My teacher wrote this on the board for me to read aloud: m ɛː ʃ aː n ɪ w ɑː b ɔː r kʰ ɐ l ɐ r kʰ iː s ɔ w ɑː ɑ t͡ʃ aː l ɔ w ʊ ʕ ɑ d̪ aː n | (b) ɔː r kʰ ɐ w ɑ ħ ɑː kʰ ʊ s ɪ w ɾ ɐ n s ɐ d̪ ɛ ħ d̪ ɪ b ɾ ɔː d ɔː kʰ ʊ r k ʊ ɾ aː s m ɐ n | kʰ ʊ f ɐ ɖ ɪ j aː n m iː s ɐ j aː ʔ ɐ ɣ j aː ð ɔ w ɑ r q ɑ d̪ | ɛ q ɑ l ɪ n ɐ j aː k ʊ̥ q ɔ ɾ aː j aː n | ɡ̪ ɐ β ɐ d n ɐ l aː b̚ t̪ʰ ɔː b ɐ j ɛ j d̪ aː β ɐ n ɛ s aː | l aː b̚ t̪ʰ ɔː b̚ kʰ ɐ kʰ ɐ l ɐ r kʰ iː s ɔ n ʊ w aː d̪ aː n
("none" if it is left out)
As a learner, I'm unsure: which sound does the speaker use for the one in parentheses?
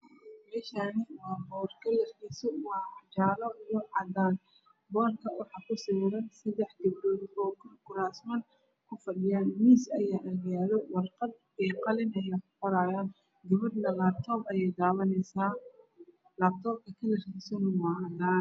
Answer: b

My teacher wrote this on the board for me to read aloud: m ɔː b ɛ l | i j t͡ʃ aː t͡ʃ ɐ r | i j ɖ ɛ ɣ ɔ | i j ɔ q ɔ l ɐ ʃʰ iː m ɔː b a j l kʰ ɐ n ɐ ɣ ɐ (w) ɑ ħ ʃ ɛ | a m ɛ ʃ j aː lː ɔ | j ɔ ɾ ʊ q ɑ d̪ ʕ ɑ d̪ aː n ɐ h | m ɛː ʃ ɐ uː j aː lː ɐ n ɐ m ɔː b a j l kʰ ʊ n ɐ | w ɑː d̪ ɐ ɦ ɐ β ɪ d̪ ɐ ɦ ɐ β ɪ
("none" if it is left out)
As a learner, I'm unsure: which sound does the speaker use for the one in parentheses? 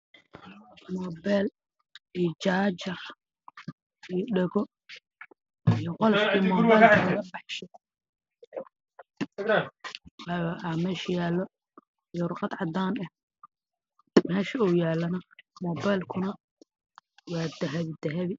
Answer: b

